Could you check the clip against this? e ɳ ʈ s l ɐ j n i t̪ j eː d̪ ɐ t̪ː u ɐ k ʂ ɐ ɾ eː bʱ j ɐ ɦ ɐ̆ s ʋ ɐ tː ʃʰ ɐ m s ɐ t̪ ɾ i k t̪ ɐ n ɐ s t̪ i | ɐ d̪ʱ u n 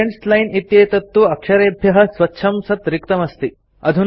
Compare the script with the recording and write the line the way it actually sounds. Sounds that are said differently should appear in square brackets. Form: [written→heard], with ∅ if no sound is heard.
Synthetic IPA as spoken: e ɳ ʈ s l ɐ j n i t̪ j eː [d̪→t̪] ɐ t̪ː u ɐ k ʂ ɐ ɾ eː bʱ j ɐ ɦ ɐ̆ s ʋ ɐ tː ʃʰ ɐ m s ɐ t̪ ɾ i k t̪ ɐ [n→m] ɐ s t̪ i | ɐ d̪ʱ u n